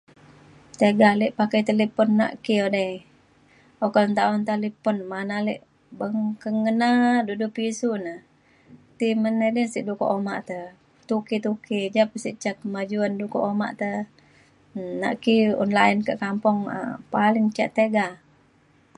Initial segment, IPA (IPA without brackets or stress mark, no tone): t̪